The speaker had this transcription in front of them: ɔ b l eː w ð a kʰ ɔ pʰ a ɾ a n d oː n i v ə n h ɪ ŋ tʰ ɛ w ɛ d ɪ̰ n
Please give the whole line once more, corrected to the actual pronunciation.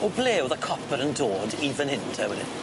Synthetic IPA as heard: ɔ b l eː w ð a kʰ ɔ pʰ ə ɾ ə n d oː d i v ə n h ɪ n tʰ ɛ w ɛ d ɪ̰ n